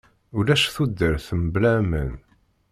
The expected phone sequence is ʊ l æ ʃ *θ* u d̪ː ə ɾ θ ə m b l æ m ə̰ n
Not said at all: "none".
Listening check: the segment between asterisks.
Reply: θ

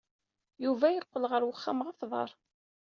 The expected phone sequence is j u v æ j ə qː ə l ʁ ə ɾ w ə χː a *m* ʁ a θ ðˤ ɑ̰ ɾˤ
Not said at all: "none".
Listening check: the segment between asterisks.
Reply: m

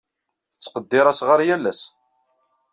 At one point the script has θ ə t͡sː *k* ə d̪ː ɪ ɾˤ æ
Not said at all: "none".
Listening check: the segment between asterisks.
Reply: q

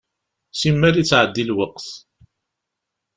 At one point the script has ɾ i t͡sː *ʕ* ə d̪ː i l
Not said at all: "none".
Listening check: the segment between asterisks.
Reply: ʕ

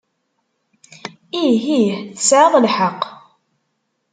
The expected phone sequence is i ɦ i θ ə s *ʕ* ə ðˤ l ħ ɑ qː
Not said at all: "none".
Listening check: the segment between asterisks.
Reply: ʕ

